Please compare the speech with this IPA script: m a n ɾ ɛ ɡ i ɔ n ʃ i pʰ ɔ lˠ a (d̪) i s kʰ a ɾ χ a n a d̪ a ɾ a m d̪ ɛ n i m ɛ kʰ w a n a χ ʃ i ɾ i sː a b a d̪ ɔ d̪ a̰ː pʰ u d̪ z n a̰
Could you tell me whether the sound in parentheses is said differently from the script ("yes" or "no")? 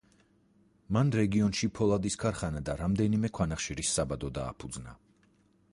no